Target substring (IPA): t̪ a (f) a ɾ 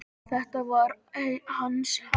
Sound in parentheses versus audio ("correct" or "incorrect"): incorrect